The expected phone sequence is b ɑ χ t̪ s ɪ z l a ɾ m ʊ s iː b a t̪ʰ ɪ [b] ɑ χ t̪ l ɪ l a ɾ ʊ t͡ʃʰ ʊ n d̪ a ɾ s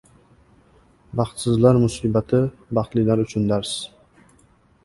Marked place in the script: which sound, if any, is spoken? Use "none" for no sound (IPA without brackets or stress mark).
b